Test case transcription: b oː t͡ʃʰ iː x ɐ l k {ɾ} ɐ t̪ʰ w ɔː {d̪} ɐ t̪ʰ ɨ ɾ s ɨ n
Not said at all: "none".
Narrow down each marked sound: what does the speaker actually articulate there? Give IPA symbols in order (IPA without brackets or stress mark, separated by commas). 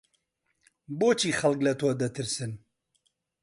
l, d̪